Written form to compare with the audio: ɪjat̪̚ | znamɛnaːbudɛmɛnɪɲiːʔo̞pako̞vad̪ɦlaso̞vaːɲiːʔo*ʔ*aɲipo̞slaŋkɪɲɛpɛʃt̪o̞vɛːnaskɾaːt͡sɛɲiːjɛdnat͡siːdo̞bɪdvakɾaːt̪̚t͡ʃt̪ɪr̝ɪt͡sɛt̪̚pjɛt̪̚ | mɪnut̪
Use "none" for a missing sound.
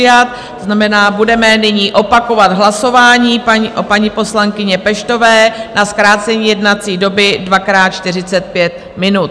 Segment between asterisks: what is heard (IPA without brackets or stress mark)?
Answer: p